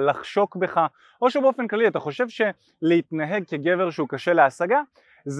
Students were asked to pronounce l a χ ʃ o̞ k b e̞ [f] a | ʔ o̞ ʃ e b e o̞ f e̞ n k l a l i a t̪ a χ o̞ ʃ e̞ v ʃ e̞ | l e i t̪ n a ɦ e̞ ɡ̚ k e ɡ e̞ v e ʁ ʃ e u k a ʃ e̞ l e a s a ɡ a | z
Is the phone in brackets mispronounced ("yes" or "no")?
yes